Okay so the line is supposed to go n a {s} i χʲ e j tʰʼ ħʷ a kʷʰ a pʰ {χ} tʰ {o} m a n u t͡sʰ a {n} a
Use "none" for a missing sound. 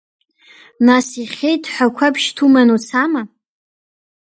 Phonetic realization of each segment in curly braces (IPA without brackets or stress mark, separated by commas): s, ʃ, u, m